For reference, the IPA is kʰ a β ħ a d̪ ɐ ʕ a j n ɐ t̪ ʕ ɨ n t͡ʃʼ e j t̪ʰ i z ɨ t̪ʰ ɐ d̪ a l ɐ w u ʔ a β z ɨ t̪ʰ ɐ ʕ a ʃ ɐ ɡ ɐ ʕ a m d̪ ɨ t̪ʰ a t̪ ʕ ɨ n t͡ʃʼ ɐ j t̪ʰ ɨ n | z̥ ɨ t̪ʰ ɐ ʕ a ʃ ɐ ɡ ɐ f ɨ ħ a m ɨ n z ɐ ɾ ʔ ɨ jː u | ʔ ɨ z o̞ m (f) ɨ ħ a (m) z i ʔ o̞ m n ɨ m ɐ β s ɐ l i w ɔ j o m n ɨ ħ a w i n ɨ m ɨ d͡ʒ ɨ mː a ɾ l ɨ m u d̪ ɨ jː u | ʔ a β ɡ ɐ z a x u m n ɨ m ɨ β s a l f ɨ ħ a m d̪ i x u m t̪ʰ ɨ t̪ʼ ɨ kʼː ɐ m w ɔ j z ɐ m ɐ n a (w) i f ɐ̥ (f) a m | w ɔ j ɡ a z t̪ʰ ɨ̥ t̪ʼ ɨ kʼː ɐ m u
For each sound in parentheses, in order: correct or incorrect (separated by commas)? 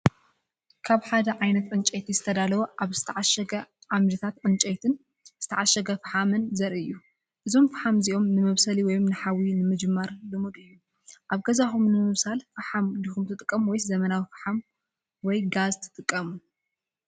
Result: correct, correct, correct, incorrect